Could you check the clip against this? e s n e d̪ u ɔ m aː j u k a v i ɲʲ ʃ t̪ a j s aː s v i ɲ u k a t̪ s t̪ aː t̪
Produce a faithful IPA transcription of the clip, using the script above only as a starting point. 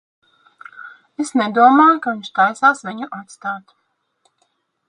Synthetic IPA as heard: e s n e d̪ u ɔ m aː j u k a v i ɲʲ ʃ t̪ a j s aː s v i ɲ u ʔ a t̪ s t̪ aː t̪